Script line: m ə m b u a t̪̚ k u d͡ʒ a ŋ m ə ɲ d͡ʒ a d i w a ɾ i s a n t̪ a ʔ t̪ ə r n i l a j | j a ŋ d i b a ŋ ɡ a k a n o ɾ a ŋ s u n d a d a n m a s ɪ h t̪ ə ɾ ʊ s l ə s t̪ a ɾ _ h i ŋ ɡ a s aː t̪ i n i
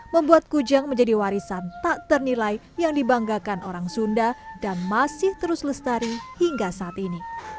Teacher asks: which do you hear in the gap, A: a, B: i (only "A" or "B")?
B